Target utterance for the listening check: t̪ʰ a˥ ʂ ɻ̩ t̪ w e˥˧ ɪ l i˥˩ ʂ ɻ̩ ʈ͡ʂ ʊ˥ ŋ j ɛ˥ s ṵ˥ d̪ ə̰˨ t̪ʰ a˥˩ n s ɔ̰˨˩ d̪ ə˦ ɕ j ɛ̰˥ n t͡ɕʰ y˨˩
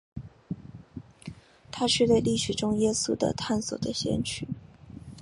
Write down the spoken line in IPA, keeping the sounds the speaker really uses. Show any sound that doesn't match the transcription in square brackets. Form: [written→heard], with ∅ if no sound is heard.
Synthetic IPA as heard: t̪ʰ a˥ ʂ ɻ̩ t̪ w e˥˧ ɪ l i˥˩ ʂ ɻ̩ ʈ͡ʂ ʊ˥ ŋ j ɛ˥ s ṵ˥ d̪ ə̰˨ t̪ʰ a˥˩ n s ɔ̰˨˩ d̪ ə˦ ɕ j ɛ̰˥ n t͡ɕʰ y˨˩